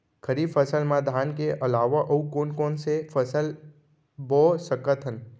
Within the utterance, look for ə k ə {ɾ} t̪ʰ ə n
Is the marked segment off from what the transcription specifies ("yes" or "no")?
yes